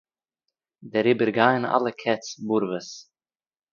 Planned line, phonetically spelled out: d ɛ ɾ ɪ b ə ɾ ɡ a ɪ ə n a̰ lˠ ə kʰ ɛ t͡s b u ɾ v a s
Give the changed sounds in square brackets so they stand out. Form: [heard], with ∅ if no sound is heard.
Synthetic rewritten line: d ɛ ɾ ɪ b ə ɾ ɡ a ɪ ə n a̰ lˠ ə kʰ ɛ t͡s b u ɾ v [ə] s